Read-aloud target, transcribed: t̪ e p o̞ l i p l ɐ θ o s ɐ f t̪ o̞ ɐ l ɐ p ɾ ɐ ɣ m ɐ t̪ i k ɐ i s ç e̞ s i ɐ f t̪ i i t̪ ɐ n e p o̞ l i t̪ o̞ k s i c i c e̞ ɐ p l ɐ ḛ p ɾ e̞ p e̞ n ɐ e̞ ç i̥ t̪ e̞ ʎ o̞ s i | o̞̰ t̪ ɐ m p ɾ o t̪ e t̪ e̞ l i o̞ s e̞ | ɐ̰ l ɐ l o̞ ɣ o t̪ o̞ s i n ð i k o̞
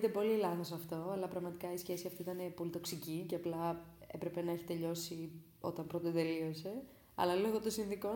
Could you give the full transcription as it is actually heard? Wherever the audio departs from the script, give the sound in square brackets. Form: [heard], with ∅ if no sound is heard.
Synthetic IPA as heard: t̪ e p o̞ l i [∅] l ɐ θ o s ɐ f t̪ o̞ ɐ l ɐ p ɾ ɐ ɣ m ɐ t̪ i k ɐ i s ç e̞ s i ɐ f t̪ i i t̪ ɐ n e p o̞ l i t̪ o̞ k s i c i c e̞ ɐ p l ɐ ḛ p ɾ e̞ p e̞ n ɐ e̞ ç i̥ t̪ e̞ ʎ o̞ s i | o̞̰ t̪ ɐ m p ɾ o t̪ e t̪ e̞ l i o̞ s e̞ | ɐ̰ l ɐ l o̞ ɣ o t̪ o̞ s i n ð i k o̞